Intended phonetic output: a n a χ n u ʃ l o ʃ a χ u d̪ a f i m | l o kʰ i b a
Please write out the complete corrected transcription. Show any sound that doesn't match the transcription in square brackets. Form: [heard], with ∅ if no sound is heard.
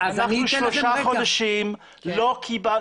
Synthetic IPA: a n a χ n u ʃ l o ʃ a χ [o] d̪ a [ʃ] i m | l o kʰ i b a